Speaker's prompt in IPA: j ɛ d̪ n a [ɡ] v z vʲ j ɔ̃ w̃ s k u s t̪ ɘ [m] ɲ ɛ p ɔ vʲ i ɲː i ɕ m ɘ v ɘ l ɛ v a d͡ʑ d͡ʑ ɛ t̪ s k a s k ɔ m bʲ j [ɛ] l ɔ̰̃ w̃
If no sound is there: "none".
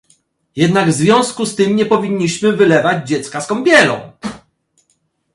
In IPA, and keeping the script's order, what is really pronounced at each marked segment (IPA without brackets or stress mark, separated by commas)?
ɡ, m, ɛ